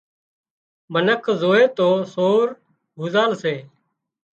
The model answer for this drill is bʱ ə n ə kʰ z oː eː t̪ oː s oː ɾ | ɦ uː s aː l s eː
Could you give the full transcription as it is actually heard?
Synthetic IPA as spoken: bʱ ə n ə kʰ z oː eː t̪ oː s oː ɾ | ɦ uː z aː l s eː